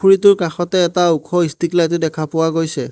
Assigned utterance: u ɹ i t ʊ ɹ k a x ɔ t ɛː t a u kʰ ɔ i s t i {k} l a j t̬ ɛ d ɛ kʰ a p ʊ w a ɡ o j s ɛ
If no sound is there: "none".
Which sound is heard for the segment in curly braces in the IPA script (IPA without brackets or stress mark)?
k